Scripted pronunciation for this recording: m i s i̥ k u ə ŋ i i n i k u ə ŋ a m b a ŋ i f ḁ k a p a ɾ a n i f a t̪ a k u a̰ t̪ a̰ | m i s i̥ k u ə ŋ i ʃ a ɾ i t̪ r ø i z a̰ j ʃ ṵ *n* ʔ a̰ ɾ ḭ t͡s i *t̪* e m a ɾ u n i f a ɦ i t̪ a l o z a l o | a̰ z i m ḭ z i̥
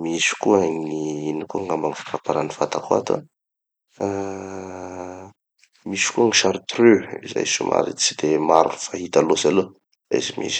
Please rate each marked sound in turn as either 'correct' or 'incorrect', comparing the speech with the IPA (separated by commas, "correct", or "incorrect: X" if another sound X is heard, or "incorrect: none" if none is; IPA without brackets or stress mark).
incorrect: m, incorrect: d̪